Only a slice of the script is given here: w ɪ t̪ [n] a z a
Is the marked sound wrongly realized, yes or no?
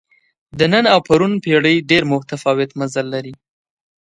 yes